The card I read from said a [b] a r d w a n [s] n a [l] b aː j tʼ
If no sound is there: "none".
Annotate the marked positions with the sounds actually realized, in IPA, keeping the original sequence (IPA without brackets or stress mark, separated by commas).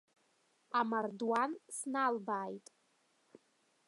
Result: m, s, l